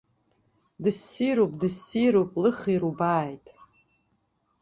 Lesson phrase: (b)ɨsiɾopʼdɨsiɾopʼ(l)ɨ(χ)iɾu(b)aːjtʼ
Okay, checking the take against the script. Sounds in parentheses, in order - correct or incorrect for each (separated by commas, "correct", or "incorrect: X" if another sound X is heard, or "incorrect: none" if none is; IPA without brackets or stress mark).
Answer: incorrect: d, correct, correct, correct